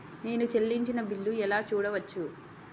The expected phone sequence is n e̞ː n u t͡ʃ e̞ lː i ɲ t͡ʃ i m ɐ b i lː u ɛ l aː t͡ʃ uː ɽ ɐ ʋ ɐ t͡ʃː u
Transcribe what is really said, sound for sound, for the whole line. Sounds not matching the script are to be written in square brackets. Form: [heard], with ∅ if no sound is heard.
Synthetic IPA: n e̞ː n u t͡ʃ e̞ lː i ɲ t͡ʃ i [n] ɐ b i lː u ɛ l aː t͡ʃ uː ɽ ɐ ʋ ɐ t͡ʃː u